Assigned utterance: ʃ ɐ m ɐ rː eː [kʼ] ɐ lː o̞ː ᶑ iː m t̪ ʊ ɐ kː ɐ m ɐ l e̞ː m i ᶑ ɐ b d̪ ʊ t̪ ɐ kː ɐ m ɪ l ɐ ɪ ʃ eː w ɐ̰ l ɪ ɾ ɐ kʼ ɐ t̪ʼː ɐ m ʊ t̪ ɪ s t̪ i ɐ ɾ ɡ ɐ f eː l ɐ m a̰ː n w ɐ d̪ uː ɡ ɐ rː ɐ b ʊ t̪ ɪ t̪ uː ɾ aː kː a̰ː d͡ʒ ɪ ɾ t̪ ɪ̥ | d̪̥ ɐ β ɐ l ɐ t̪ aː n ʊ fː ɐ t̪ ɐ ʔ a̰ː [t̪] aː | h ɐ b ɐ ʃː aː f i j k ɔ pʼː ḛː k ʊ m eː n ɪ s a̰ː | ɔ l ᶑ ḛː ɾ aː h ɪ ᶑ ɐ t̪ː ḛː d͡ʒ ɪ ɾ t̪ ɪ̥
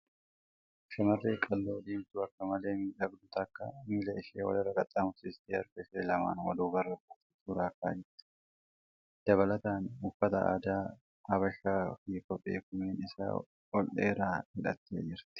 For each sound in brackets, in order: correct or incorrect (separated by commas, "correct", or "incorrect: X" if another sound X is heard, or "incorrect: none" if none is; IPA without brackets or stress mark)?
correct, incorrect: d̪